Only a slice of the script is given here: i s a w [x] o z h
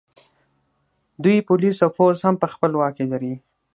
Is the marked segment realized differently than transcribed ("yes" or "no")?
yes